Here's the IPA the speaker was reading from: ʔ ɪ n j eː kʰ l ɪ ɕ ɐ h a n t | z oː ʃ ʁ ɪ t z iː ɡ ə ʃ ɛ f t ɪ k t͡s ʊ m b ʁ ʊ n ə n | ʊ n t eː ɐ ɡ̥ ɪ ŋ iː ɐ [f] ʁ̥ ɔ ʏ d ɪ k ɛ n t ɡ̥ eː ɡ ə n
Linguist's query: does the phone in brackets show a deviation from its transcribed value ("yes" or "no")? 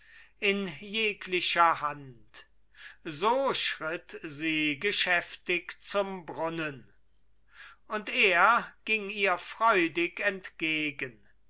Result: no